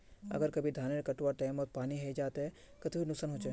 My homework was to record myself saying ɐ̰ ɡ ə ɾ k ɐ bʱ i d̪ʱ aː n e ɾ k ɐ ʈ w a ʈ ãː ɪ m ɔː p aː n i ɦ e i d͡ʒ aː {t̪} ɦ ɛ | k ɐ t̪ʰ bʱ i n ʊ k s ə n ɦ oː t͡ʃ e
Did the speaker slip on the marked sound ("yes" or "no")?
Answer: no